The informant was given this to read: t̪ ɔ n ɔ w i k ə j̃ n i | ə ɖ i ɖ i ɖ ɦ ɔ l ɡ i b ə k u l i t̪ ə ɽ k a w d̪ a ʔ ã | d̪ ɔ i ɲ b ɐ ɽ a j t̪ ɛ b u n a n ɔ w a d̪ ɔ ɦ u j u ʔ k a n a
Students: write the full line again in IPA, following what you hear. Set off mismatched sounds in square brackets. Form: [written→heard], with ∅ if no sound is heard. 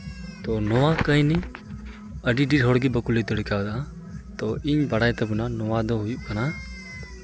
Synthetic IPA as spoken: t̪ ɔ n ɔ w [i→a] k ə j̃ n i | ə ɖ i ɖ i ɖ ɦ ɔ [l→ɽ] ɡ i b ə k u l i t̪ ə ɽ k a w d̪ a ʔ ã | [d̪→t̪] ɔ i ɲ b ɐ ɽ a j t̪ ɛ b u n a n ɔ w a d̪ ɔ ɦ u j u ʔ k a n a